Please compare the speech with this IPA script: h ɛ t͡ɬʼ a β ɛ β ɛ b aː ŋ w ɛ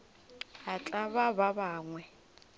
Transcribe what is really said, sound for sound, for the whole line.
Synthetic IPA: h a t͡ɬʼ a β a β a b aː ŋ w ɛ